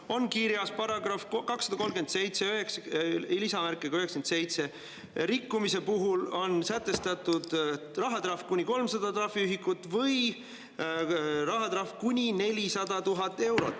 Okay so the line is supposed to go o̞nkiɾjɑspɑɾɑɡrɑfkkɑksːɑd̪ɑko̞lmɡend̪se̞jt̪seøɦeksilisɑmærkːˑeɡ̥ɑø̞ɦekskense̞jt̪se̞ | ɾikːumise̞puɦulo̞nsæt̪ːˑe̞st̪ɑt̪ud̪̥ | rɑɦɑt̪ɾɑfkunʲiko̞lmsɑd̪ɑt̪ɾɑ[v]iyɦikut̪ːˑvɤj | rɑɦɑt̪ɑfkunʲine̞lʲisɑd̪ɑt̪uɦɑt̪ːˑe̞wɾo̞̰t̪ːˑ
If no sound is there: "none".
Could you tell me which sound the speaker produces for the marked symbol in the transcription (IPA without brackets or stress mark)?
f